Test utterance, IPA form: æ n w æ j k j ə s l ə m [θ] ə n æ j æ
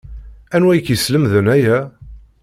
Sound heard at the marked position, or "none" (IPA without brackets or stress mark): ð